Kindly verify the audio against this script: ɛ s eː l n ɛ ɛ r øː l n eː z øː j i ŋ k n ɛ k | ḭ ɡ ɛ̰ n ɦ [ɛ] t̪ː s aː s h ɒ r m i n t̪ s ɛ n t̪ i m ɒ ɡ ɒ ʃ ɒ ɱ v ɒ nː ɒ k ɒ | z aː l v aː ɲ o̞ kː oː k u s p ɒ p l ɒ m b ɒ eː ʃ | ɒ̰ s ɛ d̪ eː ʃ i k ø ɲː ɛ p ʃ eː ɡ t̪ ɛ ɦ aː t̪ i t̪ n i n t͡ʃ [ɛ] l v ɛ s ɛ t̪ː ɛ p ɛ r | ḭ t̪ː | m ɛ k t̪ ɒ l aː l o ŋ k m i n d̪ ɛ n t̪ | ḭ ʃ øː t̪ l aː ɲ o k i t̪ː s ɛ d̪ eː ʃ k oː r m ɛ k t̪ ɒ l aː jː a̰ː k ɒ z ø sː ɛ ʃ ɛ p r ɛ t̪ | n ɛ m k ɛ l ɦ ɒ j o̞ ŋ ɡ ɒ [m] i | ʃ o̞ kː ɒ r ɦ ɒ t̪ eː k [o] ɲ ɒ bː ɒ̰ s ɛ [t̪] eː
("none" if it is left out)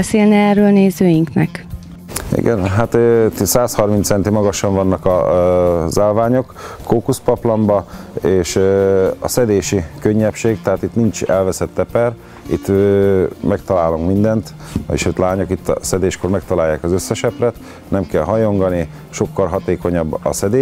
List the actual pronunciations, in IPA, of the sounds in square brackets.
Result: a, ɛ, n, o, d̪

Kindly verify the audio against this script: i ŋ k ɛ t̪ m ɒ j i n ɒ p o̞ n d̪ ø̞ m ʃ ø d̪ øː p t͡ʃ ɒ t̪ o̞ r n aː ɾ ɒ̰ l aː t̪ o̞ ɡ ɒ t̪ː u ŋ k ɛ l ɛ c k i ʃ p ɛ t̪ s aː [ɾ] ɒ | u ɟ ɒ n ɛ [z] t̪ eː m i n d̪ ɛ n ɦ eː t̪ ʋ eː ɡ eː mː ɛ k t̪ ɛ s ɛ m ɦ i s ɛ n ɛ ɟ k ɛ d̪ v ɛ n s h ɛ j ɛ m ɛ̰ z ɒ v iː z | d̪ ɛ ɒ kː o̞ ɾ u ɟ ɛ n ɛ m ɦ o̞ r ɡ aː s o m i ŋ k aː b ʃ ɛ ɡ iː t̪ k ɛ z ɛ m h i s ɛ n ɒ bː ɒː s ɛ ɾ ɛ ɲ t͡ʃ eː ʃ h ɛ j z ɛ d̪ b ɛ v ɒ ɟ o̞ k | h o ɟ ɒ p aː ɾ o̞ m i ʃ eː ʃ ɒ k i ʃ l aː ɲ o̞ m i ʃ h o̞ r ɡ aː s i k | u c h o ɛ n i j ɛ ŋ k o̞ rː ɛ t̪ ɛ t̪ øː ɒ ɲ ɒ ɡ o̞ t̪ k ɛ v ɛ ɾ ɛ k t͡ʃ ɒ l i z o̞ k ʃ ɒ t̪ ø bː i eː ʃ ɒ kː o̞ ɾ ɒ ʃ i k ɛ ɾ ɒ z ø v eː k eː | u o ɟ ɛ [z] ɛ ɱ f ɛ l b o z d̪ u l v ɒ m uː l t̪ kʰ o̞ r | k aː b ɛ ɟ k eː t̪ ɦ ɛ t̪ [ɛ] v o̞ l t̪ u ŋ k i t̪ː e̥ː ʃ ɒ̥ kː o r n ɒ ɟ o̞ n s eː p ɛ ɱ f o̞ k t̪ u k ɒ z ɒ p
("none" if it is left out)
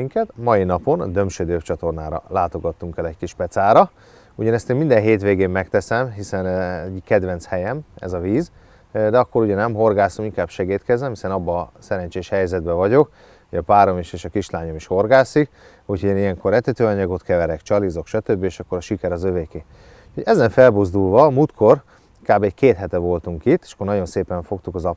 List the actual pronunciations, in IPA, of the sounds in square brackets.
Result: ɾ, s, z, ɛ

